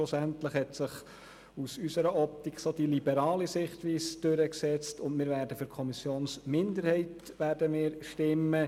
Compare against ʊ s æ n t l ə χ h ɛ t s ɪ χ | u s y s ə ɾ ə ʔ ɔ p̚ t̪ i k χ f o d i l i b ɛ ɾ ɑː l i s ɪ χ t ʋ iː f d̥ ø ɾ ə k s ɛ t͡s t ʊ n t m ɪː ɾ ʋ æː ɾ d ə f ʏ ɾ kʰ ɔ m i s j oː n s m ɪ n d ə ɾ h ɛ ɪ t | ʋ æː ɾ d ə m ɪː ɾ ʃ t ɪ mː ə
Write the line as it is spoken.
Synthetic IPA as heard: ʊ s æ n t l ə χ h ɛ t s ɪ χ | u s y s ə ɾ ə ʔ ɔ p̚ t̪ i k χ s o d i l i b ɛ ɾ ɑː l i s ɪ χ t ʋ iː s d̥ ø ɾ ə k s ɛ t͡s t ʊ n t m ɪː ɾ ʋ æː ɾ d ə f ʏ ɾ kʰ ɔ m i s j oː n s m ɪ n d ə ɾ h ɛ ɪ t | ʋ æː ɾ d ə m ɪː ɾ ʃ t ɪ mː ə